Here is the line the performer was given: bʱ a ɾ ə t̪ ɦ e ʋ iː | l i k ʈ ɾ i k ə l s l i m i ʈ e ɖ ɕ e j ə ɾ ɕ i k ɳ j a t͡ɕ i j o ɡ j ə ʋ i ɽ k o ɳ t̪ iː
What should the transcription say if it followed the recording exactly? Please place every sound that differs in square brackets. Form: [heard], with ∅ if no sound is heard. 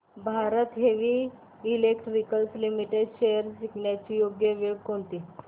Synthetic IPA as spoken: bʱ a ɾ ə t̪ ɦ e ʋ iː | l [e] k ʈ ɾ i k ə l s l i m i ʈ e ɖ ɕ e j ə ɾ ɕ i k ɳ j a t͡ɕ i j o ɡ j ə ʋ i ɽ k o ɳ t̪ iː